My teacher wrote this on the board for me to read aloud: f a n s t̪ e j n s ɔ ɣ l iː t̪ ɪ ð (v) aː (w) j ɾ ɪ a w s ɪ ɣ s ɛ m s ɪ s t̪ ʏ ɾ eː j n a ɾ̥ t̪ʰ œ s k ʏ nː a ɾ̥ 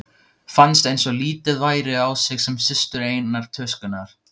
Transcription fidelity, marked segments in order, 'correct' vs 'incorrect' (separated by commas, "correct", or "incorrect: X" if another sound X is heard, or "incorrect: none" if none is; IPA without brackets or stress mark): correct, incorrect: none